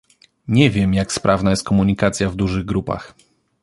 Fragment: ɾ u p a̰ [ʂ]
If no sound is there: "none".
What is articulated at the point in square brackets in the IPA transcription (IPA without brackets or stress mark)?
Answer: x